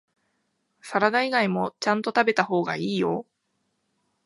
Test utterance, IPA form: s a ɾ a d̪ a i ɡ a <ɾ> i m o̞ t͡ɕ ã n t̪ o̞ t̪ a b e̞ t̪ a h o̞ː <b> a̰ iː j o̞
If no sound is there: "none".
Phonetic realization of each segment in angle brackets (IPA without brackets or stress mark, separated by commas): none, ɡ